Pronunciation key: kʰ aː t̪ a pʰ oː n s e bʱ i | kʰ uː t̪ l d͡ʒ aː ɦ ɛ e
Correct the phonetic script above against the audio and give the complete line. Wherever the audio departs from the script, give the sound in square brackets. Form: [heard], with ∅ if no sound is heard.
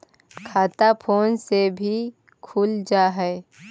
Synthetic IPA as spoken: kʰ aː t̪ a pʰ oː n s e bʱ i | kʰ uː [∅] l d͡ʒ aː ɦ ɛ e